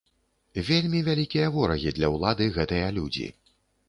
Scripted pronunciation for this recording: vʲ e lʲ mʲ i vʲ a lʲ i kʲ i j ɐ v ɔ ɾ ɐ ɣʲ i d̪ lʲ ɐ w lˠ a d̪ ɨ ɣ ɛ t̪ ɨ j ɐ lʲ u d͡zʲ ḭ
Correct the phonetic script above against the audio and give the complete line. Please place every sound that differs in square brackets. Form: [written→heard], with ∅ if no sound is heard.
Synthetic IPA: vʲ e lʲ mʲ i vʲ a lʲ i kʲ i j ɐ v ɔ ɾ ɐ ɣʲ i d̪ lʲ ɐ w lˠ a d̪ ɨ ɣ ɛ t̪ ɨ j ɐ lʲ u d͡zʲ ḭ